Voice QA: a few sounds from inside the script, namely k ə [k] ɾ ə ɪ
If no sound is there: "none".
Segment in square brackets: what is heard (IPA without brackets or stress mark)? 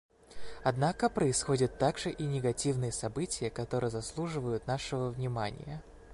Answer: p